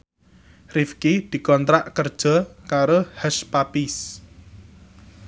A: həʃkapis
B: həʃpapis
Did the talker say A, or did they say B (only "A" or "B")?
B